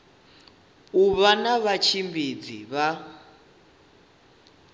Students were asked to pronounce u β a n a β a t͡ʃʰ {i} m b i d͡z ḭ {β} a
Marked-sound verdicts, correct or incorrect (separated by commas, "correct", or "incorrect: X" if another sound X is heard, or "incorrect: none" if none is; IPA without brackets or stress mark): correct, correct